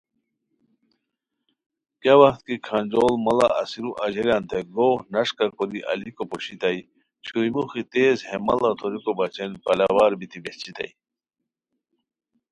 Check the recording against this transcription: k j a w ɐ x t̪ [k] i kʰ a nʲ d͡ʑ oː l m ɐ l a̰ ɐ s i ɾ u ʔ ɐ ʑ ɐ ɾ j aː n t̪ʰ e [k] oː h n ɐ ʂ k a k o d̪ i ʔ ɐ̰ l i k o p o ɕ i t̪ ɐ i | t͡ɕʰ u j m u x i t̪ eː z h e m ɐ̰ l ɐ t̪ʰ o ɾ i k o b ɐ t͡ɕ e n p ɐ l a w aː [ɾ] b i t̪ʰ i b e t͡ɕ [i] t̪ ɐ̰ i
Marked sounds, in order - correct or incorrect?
correct, incorrect, correct, correct

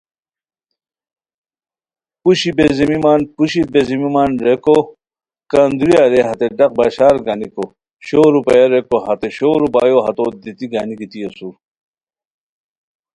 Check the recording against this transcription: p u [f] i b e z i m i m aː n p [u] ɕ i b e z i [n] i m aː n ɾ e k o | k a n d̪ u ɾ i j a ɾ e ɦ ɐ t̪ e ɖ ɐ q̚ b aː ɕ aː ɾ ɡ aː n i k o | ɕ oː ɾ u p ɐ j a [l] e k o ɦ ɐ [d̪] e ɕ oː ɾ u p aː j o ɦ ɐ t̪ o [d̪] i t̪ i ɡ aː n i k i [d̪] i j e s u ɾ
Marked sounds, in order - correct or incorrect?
incorrect, correct, incorrect, incorrect, incorrect, correct, incorrect

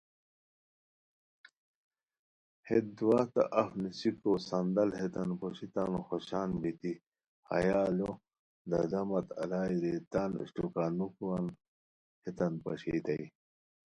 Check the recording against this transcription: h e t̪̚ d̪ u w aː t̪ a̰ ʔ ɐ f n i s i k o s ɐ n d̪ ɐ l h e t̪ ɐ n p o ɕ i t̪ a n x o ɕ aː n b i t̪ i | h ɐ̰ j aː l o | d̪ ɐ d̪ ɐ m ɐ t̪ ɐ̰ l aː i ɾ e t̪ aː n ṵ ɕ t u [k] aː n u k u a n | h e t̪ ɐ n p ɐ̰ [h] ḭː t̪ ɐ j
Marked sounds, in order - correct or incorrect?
correct, incorrect

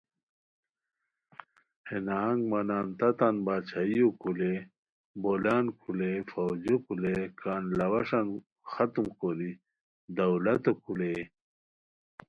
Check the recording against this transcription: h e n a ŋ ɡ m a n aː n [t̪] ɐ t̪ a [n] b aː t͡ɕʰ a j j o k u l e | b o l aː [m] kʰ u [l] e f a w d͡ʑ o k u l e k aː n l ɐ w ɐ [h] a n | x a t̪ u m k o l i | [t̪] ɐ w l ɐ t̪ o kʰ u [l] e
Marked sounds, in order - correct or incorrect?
correct, correct, incorrect, correct, incorrect, incorrect, correct

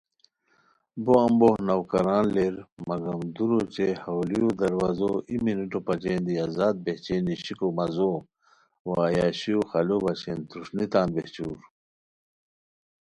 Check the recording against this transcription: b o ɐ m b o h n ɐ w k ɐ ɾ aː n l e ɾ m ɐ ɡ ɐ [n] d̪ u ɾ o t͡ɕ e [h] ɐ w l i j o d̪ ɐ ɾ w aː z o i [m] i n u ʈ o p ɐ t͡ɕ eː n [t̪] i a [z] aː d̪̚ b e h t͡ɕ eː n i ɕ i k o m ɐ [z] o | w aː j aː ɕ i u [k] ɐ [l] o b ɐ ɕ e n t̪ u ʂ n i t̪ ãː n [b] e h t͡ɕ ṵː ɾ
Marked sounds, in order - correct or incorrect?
incorrect, correct, correct, incorrect, correct, correct, incorrect, correct, correct

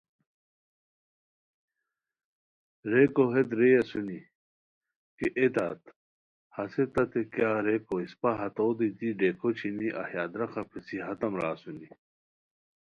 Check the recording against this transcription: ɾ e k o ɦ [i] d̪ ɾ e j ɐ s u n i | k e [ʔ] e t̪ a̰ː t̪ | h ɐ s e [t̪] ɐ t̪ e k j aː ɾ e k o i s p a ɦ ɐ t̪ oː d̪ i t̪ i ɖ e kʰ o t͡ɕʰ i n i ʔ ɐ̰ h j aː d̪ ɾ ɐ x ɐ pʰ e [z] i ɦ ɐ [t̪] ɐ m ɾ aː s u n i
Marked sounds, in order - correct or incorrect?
incorrect, correct, correct, incorrect, correct

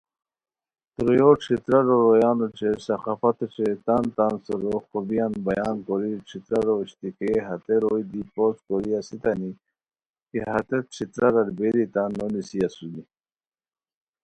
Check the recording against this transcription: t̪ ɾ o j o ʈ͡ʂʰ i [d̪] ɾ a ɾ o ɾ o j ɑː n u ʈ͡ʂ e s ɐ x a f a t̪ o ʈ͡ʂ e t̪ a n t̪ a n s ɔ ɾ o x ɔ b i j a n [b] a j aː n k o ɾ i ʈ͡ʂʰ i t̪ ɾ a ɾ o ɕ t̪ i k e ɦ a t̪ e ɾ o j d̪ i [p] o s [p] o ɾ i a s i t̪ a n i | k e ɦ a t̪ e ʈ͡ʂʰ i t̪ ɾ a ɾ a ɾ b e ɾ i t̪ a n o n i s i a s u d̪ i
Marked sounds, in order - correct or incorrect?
incorrect, correct, correct, incorrect

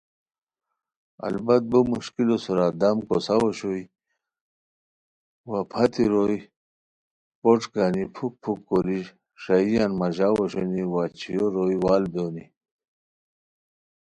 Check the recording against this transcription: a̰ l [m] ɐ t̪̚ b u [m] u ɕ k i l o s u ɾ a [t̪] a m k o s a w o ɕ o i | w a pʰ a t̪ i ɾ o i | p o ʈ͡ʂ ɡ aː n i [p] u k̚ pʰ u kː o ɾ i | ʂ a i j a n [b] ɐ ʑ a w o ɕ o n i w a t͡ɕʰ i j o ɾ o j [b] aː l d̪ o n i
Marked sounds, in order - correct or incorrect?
incorrect, correct, incorrect, incorrect, incorrect, incorrect

